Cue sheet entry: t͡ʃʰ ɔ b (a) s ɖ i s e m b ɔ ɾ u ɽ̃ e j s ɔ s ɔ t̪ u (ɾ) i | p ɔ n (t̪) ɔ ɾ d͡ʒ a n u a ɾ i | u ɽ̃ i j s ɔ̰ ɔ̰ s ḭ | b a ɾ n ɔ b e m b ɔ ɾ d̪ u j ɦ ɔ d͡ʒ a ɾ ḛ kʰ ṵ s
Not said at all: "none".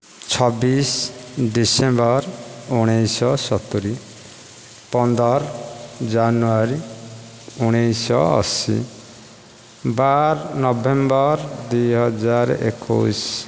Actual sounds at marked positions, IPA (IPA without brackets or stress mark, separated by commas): i, ɾ, d̪